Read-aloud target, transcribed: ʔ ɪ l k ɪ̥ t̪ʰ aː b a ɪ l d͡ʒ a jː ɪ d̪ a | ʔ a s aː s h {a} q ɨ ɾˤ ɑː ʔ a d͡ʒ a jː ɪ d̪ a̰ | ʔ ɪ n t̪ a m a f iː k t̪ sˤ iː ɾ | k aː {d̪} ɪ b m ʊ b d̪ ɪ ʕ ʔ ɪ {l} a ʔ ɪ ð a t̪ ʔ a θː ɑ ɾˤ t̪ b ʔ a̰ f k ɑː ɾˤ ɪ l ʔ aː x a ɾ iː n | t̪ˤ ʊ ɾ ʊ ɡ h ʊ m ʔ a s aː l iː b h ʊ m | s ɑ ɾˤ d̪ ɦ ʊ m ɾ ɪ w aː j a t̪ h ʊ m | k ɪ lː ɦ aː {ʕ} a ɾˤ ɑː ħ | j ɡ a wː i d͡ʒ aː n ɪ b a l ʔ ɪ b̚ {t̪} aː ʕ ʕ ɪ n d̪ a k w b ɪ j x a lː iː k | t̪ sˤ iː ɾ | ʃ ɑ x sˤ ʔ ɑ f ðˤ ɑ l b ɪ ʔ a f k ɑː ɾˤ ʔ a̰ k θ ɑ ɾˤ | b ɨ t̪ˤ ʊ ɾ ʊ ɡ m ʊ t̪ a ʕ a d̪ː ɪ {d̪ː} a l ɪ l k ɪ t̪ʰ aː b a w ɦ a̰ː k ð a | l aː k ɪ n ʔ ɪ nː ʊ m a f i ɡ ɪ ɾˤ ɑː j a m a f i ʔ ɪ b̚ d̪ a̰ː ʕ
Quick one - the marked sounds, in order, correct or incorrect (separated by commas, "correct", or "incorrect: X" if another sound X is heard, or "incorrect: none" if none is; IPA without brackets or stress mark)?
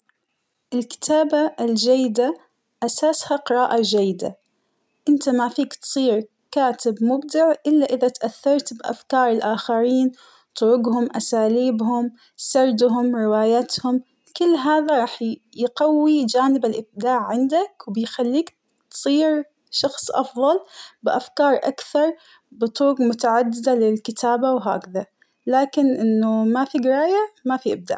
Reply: correct, incorrect: t̪, incorrect: lː, incorrect: ð, incorrect: d̪, incorrect: d̪